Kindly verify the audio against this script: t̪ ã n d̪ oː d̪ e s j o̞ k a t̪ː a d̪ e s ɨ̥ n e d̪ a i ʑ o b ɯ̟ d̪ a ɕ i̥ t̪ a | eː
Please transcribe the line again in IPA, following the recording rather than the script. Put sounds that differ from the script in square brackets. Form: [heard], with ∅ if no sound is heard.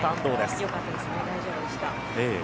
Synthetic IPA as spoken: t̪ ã n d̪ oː d̪ e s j o̞ k a t̪ː a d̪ e s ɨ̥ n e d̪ a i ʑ o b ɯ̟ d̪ [e] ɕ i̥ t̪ a | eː